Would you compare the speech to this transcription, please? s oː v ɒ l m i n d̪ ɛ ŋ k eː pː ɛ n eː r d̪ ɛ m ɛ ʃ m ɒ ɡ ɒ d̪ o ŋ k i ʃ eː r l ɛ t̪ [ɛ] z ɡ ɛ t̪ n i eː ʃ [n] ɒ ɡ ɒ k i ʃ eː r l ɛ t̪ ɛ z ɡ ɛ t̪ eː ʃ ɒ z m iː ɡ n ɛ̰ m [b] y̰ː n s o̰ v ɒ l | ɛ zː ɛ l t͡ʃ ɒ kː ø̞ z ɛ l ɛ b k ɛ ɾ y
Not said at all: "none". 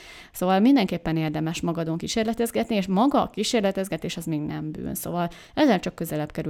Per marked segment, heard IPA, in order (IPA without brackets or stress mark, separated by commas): ɛ, m, b